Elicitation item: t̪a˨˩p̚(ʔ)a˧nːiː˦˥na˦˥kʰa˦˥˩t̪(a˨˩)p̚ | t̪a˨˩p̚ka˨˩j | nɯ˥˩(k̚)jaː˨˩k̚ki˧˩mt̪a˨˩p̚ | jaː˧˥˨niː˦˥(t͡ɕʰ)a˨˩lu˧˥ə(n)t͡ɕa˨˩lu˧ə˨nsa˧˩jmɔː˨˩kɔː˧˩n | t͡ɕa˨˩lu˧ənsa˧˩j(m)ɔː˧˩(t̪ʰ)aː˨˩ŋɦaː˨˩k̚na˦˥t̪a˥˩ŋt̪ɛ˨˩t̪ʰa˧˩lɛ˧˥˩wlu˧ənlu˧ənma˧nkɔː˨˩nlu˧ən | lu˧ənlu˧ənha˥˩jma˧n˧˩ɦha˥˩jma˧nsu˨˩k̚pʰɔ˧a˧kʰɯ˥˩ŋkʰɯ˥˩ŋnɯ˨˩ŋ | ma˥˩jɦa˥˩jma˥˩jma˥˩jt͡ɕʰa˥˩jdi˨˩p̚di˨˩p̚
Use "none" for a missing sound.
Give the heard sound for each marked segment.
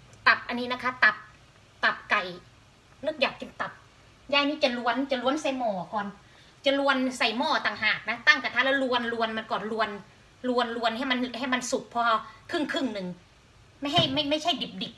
ʔ, a˨˩, k̚, t͡ɕ, n, m, t̪

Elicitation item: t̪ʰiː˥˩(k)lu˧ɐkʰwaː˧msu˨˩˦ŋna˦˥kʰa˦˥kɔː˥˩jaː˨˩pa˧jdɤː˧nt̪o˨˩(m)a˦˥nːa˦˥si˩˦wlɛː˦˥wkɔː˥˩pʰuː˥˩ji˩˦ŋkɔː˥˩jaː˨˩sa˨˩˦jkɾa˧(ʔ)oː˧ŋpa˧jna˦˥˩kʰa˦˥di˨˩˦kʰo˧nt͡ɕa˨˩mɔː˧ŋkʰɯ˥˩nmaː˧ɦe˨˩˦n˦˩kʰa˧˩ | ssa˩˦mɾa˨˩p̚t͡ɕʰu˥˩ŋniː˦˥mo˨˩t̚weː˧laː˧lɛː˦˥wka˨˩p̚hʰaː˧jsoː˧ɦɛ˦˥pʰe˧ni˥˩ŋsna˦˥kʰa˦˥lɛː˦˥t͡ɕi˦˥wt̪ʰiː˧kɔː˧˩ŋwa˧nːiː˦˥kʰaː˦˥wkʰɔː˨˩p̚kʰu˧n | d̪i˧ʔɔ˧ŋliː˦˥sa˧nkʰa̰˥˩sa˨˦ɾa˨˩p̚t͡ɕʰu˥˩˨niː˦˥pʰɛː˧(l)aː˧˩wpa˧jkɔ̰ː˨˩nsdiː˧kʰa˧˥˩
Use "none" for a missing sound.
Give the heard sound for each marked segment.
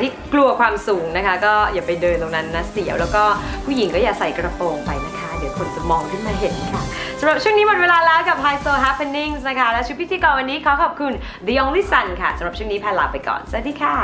k, n, p, l

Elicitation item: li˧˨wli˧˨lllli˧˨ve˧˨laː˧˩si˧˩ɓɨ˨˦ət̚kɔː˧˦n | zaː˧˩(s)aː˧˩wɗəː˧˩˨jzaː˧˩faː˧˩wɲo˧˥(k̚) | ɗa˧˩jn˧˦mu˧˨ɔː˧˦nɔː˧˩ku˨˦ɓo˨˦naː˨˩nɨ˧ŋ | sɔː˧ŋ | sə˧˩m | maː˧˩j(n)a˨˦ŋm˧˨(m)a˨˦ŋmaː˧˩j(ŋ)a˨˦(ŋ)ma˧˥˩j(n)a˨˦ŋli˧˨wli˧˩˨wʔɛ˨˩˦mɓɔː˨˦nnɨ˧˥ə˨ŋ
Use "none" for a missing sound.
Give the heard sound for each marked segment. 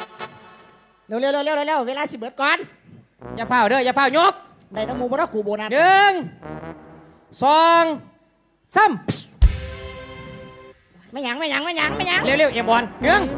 f, k̚, ɲ, ɲ, ɲ, ŋ, ɲ

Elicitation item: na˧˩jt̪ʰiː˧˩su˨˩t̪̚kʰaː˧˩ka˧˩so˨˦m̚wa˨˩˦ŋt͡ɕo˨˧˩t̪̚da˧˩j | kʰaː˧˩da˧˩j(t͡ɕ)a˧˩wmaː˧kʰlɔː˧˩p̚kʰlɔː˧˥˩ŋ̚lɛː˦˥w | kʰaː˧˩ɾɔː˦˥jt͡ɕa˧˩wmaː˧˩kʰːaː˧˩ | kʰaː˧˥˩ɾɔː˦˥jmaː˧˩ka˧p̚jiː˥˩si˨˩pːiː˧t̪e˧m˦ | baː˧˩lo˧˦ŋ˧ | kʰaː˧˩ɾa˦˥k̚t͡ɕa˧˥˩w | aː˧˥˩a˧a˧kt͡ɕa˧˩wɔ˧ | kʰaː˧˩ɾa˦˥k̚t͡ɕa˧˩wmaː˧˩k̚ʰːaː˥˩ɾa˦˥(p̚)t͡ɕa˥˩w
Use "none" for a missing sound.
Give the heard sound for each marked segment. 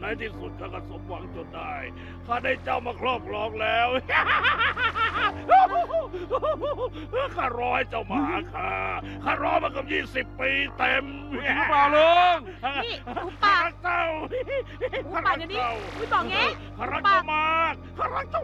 t͡ɕ, k̚

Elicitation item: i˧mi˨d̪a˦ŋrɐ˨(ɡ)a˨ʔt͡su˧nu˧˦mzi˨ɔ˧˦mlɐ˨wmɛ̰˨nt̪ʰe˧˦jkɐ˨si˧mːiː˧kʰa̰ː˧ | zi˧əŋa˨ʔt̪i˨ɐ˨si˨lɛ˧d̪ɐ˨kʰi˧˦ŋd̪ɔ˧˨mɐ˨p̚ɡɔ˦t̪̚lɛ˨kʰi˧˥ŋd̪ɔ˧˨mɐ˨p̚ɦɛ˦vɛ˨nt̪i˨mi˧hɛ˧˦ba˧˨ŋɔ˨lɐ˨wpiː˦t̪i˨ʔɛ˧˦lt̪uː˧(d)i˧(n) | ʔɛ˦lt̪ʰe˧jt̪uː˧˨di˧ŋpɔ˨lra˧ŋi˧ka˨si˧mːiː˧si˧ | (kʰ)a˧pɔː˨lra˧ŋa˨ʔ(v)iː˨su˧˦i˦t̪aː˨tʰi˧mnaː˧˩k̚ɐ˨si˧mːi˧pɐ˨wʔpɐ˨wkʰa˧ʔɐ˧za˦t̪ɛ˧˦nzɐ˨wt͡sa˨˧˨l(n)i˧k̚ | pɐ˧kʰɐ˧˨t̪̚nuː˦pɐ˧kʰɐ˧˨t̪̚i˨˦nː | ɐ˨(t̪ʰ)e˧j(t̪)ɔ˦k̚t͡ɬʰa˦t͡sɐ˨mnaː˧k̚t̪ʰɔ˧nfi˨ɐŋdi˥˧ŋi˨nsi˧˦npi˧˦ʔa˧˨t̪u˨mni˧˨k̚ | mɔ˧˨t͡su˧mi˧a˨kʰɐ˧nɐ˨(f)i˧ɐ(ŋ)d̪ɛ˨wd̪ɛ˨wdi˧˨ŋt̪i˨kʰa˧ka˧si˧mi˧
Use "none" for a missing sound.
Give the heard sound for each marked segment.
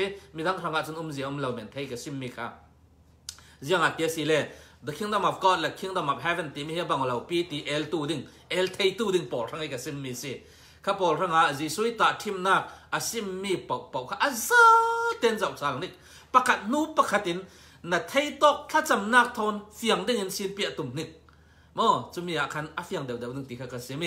ŋ, d, ŋ, kʰ, z, n, t̪ʰ, t̪, f, ŋ

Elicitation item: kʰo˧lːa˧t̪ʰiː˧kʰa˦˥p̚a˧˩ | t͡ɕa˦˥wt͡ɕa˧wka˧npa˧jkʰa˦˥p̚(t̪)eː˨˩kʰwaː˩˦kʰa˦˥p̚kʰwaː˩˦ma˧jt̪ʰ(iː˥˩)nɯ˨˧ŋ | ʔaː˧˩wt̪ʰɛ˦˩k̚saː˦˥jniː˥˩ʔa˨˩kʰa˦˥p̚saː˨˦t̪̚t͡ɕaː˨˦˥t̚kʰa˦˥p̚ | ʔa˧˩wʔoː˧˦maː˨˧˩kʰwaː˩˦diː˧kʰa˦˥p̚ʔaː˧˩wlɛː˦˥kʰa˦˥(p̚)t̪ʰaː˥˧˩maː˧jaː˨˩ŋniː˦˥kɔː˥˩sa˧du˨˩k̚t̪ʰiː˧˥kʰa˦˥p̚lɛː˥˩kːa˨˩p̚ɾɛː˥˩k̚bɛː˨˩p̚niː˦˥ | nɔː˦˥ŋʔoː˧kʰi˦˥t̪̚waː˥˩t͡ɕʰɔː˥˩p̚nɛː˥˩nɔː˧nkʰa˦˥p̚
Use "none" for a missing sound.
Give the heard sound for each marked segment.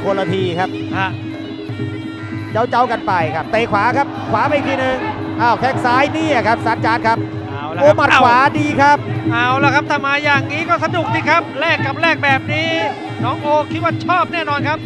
t̪, iː˧, p̚

